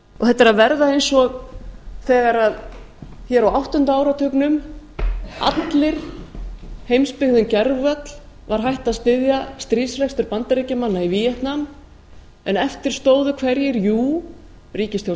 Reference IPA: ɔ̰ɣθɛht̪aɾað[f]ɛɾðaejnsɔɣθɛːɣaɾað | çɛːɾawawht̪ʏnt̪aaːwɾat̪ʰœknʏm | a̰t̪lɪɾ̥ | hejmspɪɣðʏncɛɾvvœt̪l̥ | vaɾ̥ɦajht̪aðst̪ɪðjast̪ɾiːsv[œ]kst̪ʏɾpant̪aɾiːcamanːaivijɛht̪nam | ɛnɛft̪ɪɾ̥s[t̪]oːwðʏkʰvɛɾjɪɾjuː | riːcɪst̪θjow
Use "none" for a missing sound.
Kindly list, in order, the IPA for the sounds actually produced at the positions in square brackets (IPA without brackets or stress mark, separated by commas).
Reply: v, ɛ, t̪